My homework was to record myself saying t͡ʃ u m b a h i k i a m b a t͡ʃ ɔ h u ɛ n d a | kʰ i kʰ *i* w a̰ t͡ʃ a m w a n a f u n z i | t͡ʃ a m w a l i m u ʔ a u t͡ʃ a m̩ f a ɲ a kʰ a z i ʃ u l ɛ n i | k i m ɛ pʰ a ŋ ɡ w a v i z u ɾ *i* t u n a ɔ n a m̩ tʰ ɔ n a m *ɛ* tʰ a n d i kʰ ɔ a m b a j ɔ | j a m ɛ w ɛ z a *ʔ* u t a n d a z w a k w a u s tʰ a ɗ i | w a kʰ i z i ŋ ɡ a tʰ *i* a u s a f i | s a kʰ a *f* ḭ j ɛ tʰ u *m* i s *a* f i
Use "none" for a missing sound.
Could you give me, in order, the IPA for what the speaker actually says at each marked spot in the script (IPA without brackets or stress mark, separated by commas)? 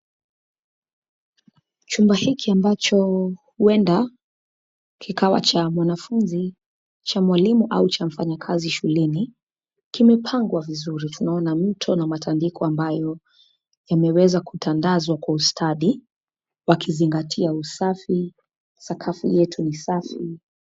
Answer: a, i, a, k, i, f, n, a